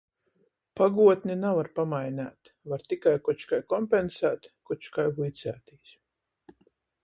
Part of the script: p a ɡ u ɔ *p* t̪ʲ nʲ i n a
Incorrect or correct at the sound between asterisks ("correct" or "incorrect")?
incorrect